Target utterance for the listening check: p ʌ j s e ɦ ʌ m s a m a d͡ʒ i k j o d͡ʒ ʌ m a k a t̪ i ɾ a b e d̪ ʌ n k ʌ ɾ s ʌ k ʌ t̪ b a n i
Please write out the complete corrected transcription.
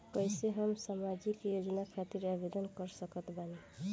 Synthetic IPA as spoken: k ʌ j s e ɦ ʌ m s a m a d͡ʒ i k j o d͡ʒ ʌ n a kʰ a t̪ i ɾ a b e d̪ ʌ n k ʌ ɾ s ʌ k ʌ t̪ b a n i